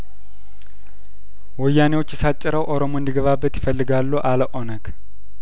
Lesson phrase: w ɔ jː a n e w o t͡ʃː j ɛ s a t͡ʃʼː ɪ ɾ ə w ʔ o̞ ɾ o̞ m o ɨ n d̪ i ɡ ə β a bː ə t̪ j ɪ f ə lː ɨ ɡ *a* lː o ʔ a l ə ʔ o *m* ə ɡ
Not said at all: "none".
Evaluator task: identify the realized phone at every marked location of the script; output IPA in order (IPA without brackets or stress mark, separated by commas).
a, n